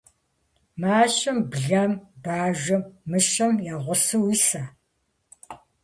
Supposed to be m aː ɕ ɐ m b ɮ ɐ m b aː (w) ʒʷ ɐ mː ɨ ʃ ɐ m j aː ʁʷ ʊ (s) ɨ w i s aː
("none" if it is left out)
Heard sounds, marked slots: none, s

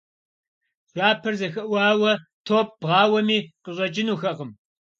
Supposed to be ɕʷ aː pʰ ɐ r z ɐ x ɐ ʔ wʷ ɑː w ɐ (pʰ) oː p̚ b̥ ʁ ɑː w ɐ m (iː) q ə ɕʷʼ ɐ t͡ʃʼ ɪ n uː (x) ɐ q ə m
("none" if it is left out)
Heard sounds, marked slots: tʰ, iː, x

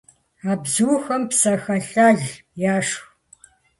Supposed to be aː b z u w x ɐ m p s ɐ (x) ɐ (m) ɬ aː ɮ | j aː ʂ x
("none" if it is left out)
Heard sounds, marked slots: x, none

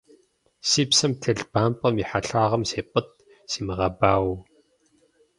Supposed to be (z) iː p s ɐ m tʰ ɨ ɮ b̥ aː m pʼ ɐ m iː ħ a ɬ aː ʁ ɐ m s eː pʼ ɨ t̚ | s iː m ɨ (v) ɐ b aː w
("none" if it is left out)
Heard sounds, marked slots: s, ʁ

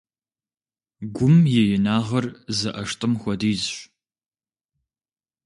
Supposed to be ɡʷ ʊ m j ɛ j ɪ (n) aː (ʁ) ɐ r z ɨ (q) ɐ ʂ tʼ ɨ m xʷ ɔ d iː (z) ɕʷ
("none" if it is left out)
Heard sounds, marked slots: n, ʁ, ʔ, z

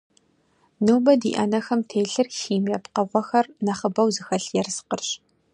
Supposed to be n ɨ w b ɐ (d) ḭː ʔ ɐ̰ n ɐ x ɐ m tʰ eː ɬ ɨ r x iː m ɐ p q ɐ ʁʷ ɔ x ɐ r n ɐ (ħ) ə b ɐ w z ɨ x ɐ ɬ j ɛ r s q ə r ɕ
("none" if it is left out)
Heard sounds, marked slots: d, χ

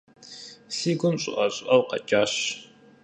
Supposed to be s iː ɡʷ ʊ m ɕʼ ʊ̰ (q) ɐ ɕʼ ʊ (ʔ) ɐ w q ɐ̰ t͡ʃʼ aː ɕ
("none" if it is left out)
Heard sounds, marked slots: ʔ, ʔ

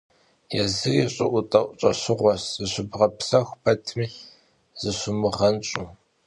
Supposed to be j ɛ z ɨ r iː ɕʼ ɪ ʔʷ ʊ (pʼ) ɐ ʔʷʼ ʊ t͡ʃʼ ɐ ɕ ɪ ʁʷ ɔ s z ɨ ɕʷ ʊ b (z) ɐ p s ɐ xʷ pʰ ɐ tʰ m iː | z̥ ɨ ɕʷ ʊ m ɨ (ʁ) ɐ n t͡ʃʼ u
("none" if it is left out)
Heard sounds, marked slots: tʼ, ʁ, ʁ

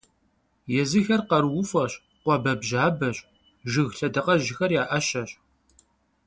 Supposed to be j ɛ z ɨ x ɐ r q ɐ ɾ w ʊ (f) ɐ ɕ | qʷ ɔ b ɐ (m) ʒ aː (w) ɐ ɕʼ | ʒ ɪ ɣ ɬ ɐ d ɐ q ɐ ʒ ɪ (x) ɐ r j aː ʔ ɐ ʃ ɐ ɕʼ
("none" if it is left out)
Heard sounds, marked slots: f, b, b, x

